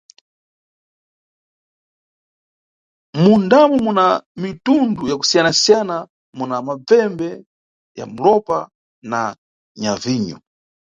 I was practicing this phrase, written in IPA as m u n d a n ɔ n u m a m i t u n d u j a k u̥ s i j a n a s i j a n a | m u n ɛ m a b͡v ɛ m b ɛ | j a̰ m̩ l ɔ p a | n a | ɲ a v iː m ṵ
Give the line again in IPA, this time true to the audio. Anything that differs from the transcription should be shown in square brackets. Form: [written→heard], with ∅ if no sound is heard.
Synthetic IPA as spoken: m u n d a [n→m] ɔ [n→m] u [m→n] a m i t u n d u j a k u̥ s i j a n a s i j a n a | m u n [ɛ→a] m a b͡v ɛ m b ɛ | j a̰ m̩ l ɔ p a | n a | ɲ a v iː [m→ɲ] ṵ